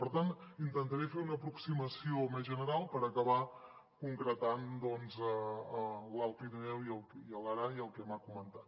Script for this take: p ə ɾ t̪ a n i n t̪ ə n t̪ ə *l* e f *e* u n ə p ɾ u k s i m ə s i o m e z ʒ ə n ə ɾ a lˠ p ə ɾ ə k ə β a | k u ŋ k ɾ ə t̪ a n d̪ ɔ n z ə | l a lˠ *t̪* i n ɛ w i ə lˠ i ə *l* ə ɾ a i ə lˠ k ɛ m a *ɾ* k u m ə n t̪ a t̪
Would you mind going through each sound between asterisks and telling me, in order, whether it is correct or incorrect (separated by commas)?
incorrect, correct, correct, correct, incorrect